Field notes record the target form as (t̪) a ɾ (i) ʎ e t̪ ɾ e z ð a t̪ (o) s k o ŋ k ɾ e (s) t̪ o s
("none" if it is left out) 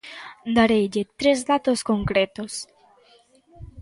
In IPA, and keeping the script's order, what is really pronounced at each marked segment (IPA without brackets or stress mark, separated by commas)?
d̪, e, o, none